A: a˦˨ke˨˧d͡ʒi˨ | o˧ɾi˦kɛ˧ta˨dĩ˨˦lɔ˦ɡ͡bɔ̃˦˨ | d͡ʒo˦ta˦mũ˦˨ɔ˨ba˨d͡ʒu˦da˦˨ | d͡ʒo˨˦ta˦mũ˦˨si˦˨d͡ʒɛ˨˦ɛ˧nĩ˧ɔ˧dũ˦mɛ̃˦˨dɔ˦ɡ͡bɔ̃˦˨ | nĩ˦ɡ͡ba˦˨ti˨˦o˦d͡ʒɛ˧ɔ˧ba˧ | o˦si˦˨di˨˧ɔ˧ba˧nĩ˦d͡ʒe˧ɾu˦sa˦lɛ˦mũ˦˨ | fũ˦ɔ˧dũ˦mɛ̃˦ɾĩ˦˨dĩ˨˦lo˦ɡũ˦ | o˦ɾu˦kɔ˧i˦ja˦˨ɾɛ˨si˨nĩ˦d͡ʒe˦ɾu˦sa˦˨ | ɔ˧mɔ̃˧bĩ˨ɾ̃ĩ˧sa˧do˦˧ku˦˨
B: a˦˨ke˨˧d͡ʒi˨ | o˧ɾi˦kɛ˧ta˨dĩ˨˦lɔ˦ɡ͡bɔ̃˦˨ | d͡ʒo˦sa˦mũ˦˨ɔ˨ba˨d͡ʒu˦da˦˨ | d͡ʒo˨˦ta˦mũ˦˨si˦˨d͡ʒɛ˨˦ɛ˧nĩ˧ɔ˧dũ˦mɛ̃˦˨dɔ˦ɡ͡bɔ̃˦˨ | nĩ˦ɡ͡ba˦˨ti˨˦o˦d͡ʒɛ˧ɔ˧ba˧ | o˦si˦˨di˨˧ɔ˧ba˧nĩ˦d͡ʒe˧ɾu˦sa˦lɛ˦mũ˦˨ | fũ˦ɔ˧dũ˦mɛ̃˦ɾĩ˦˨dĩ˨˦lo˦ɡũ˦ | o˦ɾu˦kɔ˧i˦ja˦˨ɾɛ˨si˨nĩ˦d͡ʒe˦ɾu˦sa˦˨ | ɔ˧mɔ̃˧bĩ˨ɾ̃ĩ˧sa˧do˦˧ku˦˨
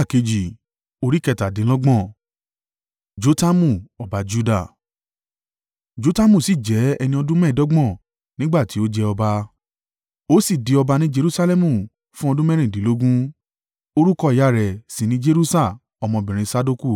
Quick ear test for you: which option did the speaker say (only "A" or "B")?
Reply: A